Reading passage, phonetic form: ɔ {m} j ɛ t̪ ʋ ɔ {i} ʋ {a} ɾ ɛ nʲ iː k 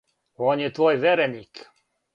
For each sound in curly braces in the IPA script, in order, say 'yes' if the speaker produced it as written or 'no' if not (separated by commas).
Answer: no, no, no